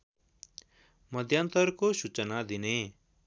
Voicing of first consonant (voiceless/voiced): voiced